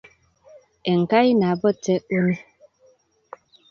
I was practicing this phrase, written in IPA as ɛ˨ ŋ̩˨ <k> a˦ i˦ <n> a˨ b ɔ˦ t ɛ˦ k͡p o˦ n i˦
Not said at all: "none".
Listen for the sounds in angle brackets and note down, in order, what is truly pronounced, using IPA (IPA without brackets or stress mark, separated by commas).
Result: k, n